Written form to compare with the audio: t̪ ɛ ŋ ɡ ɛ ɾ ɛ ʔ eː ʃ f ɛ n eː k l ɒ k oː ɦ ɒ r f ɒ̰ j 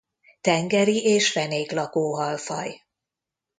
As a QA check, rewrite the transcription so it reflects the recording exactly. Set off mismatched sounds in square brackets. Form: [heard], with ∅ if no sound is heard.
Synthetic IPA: t̪ ɛ ŋ ɡ ɛ ɾ [i] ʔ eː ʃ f ɛ n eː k l ɒ k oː ɦ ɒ [l] f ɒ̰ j

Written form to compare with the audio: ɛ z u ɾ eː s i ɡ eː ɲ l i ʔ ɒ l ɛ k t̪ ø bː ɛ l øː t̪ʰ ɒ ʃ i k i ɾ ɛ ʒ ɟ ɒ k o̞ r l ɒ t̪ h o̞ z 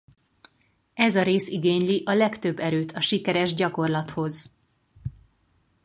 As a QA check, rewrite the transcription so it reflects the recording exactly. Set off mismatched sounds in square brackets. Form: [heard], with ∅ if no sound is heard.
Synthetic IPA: ɛ z [ɒ] ɾ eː s i ɡ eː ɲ l i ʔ ɒ l ɛ k t̪ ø bː ɛ [ɾ] øː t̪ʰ ɒ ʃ i k [ɛ] ɾ ɛ ʒ ɟ ɒ k o̞ r l ɒ t̪ h o̞ z

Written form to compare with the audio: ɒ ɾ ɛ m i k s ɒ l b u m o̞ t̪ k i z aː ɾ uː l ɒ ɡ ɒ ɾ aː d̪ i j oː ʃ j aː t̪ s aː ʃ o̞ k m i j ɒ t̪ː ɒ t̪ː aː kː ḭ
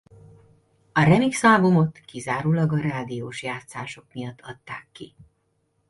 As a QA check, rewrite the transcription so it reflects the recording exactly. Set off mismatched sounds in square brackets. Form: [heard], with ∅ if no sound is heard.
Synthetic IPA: ɒ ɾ ɛ m i k s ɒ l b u m o̞ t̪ k i z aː ɾ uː l ɒ ɡ ɒ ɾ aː d̪ i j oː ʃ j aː t̪ s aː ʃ o̞ k m i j ɒ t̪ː ɒ t̪ː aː kː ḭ

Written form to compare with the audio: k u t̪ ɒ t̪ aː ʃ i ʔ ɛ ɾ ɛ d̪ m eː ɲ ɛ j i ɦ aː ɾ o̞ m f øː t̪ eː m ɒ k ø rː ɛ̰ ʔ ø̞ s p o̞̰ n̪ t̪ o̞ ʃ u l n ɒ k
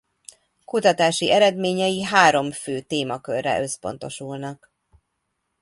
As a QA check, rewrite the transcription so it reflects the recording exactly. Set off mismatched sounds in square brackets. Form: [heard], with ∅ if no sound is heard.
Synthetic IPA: k u t̪ ɒ t̪ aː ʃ i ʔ ɛ ɾ ɛ d̪ m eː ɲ ɛ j i ɦ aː ɾ o̞ m f øː t̪ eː m ɒ k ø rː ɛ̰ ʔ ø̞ s p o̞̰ n̪ t̪ o̞ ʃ u l n ɒ k

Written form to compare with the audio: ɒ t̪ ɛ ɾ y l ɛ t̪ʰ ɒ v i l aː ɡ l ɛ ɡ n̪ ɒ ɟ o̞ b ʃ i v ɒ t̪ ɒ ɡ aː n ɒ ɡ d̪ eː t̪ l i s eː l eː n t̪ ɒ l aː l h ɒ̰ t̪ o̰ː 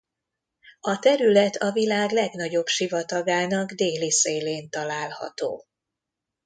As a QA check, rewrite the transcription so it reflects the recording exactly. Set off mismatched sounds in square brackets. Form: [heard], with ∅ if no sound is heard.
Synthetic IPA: ɒ t̪ ɛ ɾ y l ɛ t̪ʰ ɒ v i l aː ɡ l ɛ ɡ n̪ ɒ ɟ o̞ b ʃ i v ɒ t̪ ɒ ɡ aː n ɒ ɡ d̪ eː [∅] l i s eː l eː n t̪ ɒ l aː l h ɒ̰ t̪ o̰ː

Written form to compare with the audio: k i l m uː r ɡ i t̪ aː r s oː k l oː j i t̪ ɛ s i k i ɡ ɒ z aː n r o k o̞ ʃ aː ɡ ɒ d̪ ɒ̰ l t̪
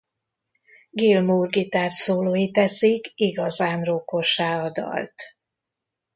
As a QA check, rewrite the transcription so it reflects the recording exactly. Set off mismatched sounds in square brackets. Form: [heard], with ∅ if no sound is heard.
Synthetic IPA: [ɡ] i l m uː r ɡ i t̪ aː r s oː [∅] l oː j i t̪ ɛ s i k i ɡ ɒ z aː n r o k o̞ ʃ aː [∅] ɒ d̪ ɒ̰ l t̪

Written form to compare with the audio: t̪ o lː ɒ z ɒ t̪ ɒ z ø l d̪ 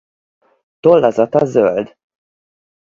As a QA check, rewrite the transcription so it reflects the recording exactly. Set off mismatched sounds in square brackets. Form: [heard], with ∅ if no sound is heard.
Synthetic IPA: t̪ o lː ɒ z ɒ t̪ ɒ z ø l d̪

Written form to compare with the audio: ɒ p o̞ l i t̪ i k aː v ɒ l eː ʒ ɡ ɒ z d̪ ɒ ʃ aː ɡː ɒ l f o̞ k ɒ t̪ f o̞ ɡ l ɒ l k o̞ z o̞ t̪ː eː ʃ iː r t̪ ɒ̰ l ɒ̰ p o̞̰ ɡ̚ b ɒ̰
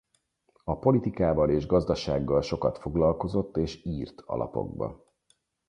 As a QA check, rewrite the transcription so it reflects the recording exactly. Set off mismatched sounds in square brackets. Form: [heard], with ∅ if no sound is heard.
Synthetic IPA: ɒ p o̞ l i t̪ i k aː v ɒ l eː ʒ ɡ ɒ z d̪ ɒ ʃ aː ɡː ɒ l [ʃ] o̞ k ɒ t̪ f o̞ ɡ l ɒ l k o̞ z o̞ t̪ː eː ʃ iː r t̪ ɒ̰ l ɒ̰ p o̞̰ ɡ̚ b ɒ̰

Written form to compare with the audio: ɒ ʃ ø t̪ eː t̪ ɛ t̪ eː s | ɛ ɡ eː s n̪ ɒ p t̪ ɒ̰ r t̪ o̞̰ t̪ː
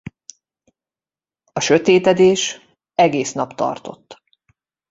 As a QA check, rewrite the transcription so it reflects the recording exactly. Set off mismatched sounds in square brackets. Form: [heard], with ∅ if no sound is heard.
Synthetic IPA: ɒ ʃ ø t̪ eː t̪ ɛ [d̪] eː [ʃ] | ɛ ɡ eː s n̪ ɒ p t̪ ɒ̰ r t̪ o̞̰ t̪ː

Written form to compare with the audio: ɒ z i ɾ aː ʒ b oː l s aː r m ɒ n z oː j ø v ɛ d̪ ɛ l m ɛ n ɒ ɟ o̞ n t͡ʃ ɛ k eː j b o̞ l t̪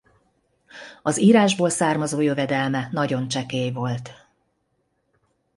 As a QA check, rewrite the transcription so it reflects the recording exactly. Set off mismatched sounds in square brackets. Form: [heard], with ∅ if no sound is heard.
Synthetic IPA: ɒ z [iː] ɾ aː ʒ b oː l s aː r m ɒ [∅] z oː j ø v ɛ d̪ ɛ l m ɛ n ɒ ɟ o̞ n t͡ʃ ɛ k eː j [v] o̞ l t̪

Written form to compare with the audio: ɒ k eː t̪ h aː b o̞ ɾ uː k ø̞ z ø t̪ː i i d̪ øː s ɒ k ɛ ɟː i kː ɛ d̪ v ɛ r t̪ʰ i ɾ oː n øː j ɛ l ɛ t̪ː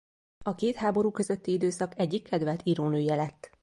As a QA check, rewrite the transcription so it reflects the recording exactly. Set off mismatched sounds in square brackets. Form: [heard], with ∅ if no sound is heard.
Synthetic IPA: ɒ k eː t̪ h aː b o̞ ɾ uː k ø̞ z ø t̪ː i i d̪ øː s ɒ k ɛ ɟː i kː ɛ d̪ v ɛ [l] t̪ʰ i ɾ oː n øː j ɛ l ɛ t̪ː

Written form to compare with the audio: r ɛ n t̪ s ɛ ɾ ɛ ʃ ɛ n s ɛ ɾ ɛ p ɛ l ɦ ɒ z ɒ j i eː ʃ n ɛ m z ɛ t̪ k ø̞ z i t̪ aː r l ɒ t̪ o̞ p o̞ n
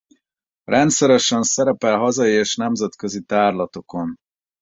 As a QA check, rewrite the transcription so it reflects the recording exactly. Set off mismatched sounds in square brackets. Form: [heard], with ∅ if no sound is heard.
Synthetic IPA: r ɛ n t̪ s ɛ ɾ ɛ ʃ ɛ n s ɛ ɾ ɛ p ɛ l ɦ ɒ z ɒ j i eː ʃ n ɛ m z ɛ t̪ k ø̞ z i t̪ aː r l ɒ t̪ o̞ [k] o̞ n

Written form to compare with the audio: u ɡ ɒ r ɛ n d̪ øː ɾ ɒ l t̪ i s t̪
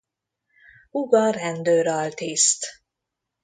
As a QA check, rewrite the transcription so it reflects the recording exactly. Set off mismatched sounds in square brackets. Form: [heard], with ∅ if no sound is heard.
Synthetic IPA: u ɡ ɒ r ɛ n d̪ øː ɾ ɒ l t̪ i s t̪

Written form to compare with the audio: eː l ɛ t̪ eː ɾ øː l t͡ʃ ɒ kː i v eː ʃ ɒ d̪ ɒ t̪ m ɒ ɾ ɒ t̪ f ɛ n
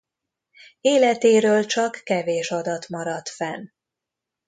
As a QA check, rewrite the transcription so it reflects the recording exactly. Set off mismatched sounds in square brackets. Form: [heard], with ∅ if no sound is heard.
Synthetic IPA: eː l ɛ t̪ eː ɾ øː l t͡ʃ ɒ kː [ɛ] v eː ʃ ɒ d̪ ɒ t̪ m ɒ ɾ ɒ t̪ f ɛ n

